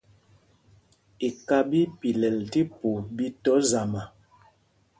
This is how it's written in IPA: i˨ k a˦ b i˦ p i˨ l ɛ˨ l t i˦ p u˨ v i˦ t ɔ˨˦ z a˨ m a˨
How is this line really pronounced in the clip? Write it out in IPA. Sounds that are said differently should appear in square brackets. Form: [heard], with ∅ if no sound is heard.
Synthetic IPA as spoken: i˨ k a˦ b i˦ p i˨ l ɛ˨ l t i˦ p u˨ [b] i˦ t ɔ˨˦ z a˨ m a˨